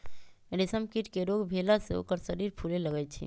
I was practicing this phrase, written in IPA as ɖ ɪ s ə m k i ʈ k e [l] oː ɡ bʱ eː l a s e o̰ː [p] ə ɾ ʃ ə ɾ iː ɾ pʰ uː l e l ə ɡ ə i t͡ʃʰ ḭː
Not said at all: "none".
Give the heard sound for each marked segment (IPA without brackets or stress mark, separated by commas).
ɾ, k